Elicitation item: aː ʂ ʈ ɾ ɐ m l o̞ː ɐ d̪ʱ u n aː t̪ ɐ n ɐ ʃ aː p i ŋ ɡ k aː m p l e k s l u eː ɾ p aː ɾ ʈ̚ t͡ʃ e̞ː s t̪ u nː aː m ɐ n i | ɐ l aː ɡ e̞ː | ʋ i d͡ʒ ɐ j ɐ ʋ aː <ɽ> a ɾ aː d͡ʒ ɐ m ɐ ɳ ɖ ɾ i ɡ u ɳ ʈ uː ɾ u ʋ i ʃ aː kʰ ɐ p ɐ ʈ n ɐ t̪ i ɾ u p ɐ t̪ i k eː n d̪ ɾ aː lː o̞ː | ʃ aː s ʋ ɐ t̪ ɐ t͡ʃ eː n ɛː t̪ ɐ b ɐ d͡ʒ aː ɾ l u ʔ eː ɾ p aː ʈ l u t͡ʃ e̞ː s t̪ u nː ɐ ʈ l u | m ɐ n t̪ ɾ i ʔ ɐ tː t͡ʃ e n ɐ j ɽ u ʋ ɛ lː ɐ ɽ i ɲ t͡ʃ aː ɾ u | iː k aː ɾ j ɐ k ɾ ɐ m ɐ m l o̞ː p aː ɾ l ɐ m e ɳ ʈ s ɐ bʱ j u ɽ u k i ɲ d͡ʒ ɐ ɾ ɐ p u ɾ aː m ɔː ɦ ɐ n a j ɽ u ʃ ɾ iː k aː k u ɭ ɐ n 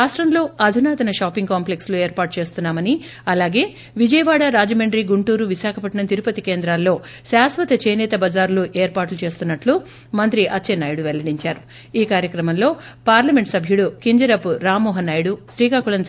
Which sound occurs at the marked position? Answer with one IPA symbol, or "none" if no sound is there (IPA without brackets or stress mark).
ɽ